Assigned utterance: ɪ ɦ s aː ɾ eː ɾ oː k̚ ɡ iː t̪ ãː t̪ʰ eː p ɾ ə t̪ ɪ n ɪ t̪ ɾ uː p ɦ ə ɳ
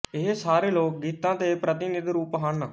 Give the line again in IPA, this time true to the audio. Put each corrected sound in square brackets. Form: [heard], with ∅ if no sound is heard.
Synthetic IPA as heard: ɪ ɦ s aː ɾ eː [l] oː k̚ ɡ iː t̪ ãː [t̪] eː p ɾ ə t̪ ɪ n ɪ [d̪] ɾ uː p ɦ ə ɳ